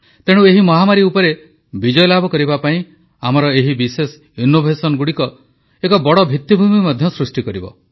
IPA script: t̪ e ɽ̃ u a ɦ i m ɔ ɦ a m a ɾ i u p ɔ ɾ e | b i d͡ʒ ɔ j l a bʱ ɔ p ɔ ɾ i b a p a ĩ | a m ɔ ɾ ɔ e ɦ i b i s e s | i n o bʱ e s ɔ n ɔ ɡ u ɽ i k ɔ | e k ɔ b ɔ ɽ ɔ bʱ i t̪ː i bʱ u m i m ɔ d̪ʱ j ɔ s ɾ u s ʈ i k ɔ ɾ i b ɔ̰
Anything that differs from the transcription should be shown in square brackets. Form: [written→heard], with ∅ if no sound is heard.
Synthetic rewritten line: t̪ e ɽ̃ u [a→e] ɦ i m ɔ ɦ a m a ɾ i u p ɔ ɾ e | b i d͡ʒ ɔ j l a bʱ ɔ [p→k] ɔ ɾ i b a p a ĩ | a m ɔ ɾ ɔ e ɦ i b i s e s | i n o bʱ e s ɔ n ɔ ɡ u ɽ i k ɔ | e k ɔ b ɔ ɽ ɔ bʱ i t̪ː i bʱ u m i m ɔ d̪ʱ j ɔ s ɾ u s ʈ i k ɔ ɾ i b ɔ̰